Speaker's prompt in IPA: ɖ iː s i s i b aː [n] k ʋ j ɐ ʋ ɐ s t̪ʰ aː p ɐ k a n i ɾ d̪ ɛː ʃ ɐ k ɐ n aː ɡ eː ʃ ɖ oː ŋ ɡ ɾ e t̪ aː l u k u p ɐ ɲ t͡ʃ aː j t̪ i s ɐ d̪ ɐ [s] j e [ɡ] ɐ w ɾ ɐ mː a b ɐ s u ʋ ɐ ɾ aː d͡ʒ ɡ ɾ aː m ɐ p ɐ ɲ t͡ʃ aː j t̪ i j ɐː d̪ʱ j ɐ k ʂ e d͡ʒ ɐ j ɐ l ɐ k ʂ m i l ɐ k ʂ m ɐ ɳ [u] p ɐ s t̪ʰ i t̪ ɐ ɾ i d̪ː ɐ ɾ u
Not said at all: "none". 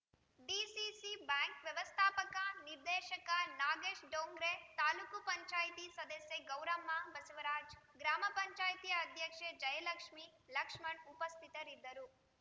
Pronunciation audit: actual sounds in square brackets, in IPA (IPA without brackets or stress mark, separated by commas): ŋ, s, ɡ, u